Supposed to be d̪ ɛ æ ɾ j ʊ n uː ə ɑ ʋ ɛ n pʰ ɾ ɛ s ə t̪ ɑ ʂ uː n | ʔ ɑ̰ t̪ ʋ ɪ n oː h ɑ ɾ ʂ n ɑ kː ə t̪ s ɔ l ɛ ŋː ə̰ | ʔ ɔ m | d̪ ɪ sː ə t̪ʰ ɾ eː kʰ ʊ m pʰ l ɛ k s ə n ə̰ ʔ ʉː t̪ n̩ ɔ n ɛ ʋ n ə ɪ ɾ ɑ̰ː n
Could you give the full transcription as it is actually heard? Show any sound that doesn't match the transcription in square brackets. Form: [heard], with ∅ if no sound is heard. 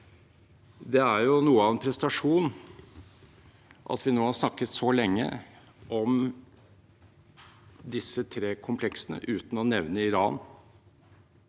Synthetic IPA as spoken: d̪ ɛ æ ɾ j ʊ n uː ə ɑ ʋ ɛ n pʰ ɾ ɛ s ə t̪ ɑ ʂ uː n | ʔ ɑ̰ t̪ ʋ ɪ n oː h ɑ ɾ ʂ n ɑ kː ə t̪ s ɔ l ɛ ŋː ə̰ | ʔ ɔ m | d̪ ɪ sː ə t̪ʰ ɾ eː kʰ ʊ m pʰ l ɛ k s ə n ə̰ ʔ ʉː t̪ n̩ ɔ n ɛ ʋ n ə ɪ ɾ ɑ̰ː n